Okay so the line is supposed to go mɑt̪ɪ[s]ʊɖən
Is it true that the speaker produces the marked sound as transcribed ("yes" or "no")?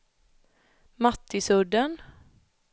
yes